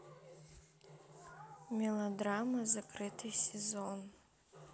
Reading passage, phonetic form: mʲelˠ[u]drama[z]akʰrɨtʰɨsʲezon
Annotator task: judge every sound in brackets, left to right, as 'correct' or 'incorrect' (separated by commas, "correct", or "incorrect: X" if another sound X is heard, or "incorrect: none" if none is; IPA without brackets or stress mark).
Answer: incorrect: o, correct